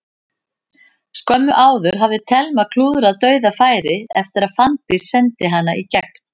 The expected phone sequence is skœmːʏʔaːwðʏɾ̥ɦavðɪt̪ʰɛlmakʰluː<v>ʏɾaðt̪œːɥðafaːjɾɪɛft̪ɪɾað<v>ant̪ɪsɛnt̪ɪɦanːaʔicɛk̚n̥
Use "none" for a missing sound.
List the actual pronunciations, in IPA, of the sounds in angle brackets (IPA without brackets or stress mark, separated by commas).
ð, f